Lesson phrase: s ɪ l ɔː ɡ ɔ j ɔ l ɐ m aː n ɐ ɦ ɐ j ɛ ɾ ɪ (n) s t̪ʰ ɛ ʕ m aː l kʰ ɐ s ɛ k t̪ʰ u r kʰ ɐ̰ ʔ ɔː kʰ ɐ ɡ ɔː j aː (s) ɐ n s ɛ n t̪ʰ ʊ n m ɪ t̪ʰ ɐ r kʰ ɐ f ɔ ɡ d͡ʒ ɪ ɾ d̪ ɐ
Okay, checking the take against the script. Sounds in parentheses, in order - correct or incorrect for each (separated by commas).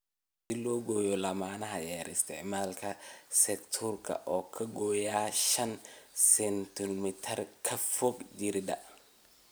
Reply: incorrect, incorrect